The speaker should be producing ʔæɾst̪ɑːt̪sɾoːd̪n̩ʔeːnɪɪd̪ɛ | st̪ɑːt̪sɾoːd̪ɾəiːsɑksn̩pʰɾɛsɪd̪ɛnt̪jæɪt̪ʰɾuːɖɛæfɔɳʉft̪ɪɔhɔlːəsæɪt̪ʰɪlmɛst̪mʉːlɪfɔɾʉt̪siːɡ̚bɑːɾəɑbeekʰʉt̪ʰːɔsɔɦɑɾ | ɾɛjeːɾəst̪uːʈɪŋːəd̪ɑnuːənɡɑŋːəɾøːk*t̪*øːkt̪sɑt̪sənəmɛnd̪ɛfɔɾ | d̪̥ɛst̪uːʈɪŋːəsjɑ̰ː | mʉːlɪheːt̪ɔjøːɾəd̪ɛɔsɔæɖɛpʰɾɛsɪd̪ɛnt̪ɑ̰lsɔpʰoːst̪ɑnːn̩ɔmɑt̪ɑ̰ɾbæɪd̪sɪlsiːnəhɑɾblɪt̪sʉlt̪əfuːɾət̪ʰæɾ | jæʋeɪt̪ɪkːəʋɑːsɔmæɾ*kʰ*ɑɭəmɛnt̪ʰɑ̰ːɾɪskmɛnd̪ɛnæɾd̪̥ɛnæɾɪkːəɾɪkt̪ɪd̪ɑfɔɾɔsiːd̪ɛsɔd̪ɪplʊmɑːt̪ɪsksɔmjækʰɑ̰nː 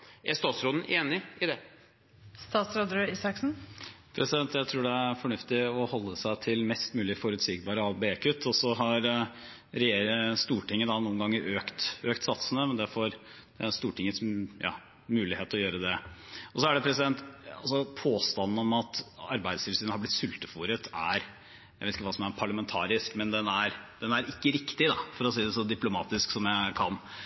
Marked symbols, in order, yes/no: yes, no

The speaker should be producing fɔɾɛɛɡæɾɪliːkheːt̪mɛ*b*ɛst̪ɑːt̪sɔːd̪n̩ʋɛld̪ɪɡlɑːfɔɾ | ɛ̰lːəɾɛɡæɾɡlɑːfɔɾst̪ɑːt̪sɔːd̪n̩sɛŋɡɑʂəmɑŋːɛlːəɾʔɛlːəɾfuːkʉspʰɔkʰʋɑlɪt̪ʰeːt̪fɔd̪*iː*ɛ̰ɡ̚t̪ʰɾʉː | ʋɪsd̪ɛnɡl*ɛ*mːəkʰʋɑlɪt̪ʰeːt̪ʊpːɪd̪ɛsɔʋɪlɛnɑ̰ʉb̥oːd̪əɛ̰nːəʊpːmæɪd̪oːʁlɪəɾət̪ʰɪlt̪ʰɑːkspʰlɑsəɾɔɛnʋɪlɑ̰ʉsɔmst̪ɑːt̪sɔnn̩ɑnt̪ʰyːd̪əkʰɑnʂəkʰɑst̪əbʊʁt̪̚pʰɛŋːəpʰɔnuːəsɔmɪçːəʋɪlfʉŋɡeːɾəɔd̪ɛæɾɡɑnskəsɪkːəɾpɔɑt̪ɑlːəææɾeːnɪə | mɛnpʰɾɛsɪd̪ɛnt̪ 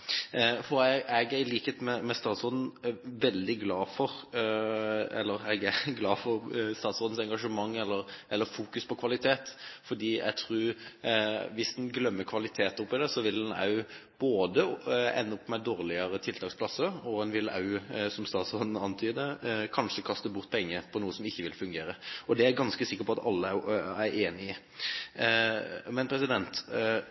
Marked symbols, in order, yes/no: no, yes, no

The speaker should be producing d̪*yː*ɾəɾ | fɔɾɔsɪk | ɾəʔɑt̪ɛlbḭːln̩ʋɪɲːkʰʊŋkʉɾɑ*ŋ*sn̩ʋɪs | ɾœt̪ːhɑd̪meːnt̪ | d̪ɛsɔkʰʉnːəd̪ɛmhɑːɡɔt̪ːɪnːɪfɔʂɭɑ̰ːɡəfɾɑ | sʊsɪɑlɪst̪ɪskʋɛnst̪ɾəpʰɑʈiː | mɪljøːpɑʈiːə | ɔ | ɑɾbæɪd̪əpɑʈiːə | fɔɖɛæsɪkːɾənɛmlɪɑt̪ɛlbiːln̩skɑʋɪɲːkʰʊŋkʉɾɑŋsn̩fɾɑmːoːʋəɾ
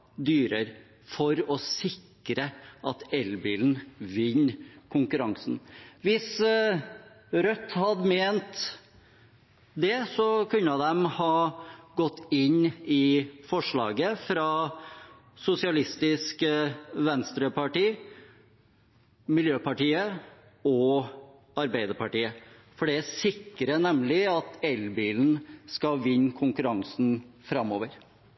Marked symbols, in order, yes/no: yes, yes

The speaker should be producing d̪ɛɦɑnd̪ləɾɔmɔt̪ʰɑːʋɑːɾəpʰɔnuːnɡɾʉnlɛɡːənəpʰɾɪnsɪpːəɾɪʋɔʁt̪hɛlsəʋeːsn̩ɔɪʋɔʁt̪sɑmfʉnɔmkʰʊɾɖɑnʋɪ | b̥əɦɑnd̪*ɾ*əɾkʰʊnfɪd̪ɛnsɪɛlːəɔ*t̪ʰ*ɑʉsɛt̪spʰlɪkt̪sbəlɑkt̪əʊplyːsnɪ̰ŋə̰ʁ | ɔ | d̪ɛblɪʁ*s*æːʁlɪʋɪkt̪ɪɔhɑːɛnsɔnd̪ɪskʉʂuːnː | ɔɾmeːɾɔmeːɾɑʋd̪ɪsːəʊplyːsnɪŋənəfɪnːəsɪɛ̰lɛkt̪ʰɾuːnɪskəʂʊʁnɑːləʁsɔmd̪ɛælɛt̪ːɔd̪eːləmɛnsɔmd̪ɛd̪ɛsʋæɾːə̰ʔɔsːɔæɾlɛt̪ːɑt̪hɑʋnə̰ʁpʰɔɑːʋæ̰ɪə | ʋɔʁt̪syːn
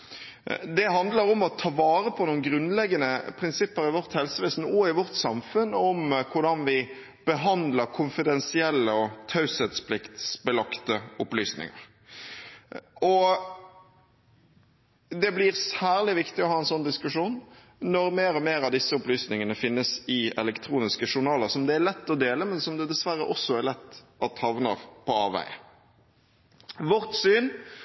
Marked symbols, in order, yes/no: no, yes, yes

